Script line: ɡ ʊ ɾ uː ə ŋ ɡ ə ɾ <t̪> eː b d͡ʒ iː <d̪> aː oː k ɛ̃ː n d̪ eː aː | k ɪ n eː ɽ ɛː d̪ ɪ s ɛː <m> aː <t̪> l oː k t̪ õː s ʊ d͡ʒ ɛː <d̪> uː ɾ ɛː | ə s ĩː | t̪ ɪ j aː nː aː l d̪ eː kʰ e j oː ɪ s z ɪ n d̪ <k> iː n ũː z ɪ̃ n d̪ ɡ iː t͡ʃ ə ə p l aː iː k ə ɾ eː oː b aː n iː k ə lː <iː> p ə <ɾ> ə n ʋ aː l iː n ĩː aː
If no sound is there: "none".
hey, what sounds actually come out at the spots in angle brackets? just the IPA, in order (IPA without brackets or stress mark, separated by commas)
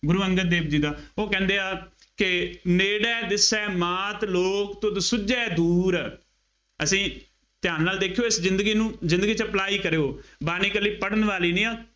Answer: d̪, d̪, m, t̪, d̪, ɡ, iː, ɽ